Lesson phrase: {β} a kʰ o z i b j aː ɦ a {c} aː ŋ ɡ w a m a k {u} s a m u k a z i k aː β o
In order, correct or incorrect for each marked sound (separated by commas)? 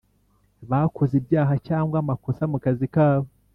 correct, correct, incorrect